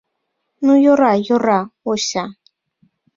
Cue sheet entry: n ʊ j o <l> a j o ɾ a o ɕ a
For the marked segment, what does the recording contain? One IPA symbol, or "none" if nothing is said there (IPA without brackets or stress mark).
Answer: ɾ